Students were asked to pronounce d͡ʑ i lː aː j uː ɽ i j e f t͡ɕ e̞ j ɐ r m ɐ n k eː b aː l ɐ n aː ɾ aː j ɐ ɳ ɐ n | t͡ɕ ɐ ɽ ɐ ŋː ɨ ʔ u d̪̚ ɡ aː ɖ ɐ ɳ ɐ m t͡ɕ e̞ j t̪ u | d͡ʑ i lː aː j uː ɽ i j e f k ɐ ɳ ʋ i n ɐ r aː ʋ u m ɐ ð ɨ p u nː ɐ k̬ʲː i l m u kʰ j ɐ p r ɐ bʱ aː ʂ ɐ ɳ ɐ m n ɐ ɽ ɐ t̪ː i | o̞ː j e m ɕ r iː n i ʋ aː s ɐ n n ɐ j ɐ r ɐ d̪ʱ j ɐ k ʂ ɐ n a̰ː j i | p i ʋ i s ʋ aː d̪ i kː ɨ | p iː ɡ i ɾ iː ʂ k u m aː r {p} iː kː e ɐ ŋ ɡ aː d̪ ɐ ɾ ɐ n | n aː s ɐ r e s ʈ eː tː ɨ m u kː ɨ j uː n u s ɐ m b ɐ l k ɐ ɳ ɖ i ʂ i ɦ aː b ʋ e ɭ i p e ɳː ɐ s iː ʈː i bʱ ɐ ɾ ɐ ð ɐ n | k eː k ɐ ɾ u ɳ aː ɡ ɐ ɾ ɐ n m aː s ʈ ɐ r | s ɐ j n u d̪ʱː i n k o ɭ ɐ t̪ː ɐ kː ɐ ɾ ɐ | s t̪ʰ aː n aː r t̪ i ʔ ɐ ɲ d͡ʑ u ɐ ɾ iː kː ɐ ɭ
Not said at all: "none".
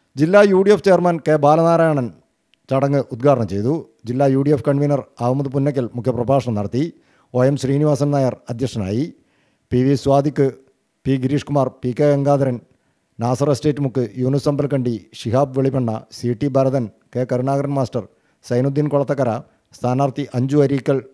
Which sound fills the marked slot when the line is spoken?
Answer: p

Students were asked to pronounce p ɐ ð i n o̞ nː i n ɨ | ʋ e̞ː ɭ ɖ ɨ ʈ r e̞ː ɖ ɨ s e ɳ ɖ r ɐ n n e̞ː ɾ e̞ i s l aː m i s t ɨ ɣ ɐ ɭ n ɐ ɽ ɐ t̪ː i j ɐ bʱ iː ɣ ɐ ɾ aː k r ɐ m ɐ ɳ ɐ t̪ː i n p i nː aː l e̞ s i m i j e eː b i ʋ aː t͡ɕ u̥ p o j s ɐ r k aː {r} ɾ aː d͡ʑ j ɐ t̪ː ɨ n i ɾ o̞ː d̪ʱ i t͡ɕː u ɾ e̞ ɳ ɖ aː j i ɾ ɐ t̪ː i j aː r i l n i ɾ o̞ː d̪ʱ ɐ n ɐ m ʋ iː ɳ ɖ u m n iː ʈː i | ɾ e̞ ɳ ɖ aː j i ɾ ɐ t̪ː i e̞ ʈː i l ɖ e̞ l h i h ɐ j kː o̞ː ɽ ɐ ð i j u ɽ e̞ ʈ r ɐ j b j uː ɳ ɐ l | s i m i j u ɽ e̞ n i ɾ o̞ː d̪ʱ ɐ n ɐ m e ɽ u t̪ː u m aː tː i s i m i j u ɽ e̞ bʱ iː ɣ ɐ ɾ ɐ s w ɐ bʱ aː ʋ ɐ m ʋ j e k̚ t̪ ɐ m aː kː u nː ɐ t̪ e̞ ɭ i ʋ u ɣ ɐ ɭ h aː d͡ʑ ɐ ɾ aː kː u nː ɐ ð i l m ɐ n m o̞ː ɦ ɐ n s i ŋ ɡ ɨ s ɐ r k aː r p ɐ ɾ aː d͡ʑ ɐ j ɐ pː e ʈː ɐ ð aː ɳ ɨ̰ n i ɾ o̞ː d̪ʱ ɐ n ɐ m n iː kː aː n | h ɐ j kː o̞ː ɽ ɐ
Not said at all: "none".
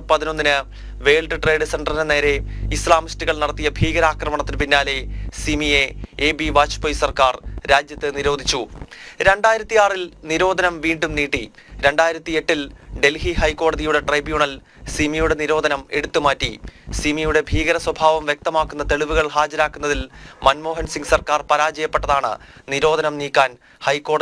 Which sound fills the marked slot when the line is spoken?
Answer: r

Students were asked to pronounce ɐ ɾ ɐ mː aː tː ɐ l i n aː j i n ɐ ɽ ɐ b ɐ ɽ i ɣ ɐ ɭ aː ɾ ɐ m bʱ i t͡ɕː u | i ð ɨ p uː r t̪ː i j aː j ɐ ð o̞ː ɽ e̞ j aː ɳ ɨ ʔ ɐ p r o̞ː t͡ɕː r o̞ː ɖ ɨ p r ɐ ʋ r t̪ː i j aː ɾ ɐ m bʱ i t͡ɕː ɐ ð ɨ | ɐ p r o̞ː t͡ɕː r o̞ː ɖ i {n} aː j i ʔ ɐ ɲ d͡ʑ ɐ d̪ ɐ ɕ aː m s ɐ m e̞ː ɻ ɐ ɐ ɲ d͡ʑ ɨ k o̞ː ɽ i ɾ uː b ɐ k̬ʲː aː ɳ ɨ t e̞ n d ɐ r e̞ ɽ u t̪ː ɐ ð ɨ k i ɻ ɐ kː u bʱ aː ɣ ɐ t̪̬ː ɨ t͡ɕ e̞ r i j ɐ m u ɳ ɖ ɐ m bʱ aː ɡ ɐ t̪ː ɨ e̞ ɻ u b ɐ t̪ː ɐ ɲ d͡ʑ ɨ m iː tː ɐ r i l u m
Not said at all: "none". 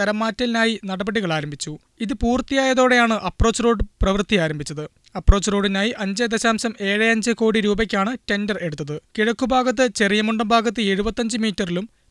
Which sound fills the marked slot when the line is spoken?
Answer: n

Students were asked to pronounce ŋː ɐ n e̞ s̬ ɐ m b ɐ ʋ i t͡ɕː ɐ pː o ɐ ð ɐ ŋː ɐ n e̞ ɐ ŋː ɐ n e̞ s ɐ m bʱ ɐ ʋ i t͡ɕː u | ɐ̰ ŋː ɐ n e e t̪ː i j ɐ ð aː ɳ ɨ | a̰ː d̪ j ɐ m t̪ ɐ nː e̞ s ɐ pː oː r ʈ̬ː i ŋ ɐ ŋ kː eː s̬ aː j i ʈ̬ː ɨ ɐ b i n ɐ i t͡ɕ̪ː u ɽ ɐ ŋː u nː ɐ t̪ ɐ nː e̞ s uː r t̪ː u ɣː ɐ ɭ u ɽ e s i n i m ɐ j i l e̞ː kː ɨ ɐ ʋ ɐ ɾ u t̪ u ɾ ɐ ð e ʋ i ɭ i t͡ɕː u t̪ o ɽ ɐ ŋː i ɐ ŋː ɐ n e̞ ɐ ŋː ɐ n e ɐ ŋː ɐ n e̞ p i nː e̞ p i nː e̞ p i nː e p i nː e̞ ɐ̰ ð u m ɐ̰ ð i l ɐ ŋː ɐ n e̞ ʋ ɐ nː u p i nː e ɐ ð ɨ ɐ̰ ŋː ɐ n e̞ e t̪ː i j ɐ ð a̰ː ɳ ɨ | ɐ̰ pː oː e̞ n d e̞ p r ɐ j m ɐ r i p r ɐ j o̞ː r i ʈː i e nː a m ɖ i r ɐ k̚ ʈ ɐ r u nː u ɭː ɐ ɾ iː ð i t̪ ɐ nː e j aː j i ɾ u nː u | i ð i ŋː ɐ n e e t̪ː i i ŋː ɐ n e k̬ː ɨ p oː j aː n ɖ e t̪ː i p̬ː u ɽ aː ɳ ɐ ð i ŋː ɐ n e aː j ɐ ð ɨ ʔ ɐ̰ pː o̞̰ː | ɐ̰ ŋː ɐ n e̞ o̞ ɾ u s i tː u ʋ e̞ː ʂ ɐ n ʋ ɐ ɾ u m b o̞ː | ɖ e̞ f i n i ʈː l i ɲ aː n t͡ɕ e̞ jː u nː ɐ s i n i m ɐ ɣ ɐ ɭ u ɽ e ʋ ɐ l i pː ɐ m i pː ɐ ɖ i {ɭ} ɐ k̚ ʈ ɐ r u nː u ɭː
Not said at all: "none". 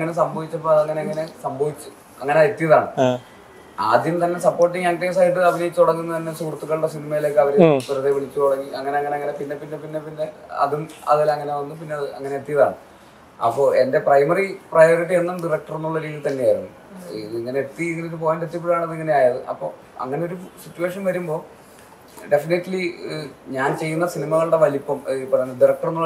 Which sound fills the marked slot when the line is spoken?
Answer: r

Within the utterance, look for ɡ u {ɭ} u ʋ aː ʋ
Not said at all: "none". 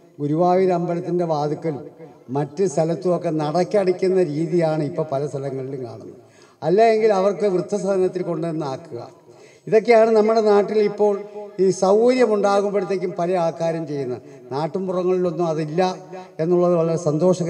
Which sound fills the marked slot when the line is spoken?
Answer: ɾ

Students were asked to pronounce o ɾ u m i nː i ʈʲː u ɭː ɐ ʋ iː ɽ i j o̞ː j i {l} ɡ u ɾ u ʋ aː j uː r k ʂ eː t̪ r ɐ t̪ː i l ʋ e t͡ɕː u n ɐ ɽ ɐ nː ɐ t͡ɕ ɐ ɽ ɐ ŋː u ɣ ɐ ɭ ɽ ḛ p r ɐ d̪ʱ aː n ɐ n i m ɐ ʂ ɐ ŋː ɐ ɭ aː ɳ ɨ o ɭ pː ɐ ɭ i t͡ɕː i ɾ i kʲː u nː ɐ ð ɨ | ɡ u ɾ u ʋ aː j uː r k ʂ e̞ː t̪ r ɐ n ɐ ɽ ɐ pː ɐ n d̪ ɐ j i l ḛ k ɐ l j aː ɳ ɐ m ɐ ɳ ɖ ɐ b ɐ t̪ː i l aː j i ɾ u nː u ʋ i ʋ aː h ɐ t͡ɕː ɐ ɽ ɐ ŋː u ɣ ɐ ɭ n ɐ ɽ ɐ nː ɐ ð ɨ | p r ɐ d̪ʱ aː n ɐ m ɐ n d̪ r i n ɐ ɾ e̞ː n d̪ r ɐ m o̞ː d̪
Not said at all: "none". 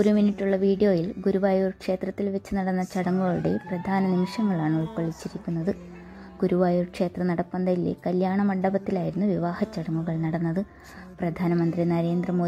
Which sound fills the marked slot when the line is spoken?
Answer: l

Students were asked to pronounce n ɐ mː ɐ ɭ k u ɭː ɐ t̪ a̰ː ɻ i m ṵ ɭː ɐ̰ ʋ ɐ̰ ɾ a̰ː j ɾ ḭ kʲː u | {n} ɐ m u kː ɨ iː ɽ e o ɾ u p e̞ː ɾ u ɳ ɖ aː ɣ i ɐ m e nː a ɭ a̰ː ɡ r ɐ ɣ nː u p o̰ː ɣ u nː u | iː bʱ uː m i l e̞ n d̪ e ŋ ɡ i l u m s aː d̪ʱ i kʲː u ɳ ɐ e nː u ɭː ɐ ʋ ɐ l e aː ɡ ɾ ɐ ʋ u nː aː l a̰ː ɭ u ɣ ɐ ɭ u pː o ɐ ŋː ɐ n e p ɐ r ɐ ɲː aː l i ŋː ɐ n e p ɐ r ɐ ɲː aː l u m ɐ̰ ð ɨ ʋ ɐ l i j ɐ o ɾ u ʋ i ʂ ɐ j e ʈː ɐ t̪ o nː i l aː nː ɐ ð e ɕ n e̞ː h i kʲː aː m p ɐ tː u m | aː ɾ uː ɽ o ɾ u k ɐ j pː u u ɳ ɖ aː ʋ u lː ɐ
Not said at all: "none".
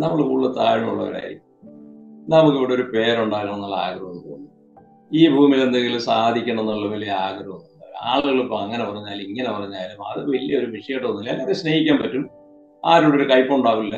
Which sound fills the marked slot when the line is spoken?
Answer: n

